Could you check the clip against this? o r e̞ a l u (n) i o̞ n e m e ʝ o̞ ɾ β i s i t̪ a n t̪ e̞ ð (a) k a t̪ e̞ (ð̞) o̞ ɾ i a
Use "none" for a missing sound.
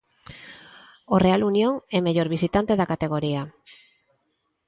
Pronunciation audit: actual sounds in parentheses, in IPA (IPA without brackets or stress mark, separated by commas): n, a, ɣ̞